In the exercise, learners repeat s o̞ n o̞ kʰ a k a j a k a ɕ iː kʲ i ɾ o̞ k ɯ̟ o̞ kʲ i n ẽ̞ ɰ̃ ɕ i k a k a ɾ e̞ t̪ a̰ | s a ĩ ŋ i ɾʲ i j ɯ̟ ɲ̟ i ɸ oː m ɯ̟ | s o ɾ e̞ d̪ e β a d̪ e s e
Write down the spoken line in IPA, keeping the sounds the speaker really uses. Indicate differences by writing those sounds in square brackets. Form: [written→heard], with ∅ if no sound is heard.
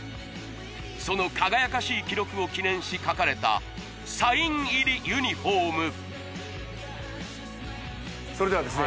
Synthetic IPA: s o̞ n o̞ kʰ a [k→ɡ] a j a k a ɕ iː kʲ i ɾ o̞ k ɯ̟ o̞ kʲ i n ẽ̞ ɰ̃ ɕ i k a k a ɾ e̞ t̪ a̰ | s a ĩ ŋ i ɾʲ i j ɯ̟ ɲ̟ i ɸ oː m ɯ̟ | s o ɾ e̞ d̪ e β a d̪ e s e